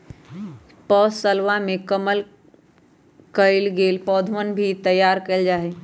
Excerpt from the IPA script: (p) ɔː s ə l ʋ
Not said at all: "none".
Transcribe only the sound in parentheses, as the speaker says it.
p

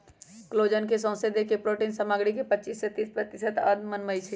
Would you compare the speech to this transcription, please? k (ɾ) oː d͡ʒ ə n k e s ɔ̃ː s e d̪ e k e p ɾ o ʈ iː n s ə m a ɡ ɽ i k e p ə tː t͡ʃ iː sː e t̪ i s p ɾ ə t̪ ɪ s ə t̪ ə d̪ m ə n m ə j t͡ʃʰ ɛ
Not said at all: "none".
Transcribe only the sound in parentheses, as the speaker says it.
l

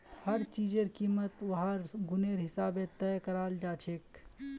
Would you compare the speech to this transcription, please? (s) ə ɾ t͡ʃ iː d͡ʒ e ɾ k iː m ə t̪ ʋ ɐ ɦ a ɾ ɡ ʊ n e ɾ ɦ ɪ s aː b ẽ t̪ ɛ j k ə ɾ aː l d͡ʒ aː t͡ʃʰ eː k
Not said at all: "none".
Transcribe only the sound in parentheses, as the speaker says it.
h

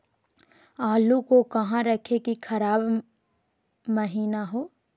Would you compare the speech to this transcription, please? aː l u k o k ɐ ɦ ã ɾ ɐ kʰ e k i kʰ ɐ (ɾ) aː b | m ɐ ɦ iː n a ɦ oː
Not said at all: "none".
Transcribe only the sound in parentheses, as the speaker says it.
ɾ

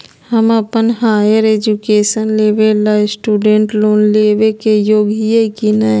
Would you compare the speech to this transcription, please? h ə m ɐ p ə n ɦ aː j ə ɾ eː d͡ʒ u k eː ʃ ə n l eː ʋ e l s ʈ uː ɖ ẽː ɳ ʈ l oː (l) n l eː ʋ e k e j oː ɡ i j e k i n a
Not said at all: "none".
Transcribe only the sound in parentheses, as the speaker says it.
none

